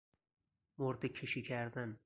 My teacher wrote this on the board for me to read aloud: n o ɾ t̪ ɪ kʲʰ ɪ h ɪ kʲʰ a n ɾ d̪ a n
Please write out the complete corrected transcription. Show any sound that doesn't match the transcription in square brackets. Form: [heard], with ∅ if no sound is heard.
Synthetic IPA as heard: [m] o ɾ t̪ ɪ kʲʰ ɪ [ʃ] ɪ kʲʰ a [∅] ɾ d̪ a n